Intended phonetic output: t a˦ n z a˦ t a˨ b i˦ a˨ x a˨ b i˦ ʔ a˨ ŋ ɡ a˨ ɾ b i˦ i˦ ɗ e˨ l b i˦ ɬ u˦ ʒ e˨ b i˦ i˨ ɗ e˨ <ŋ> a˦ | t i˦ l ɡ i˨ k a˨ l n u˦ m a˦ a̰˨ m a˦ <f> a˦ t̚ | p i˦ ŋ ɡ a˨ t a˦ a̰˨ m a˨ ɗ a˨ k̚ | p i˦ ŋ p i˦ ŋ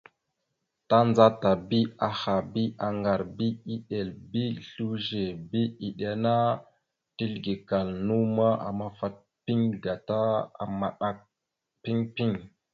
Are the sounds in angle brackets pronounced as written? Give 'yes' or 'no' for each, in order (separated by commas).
no, yes